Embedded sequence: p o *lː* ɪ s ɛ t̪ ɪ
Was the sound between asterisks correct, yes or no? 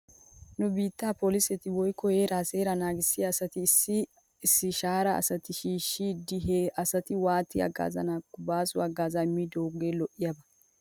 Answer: no